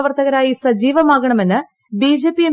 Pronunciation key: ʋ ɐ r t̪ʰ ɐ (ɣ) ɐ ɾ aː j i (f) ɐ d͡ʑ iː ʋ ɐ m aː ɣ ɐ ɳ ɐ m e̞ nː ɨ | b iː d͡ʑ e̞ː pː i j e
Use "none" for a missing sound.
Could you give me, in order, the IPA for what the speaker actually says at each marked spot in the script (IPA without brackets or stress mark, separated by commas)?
ɣ, s